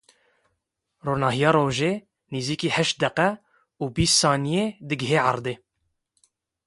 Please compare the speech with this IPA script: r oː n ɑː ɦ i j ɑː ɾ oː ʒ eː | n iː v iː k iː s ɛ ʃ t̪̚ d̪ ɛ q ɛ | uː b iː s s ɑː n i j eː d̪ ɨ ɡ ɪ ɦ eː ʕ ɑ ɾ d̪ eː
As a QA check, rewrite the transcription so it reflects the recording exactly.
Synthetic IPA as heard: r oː n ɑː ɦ i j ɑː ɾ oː ʒ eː | n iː z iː k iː h ɛ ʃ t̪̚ d̪ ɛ q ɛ | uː b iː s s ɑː n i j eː d̪ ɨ ɡ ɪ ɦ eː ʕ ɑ ɾ d̪ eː